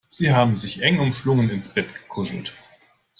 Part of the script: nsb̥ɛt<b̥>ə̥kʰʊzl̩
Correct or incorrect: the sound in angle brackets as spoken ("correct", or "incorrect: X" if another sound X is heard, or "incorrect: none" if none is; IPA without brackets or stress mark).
incorrect: ɡ̥